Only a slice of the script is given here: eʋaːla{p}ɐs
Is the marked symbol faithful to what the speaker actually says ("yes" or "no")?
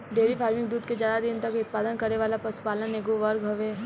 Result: yes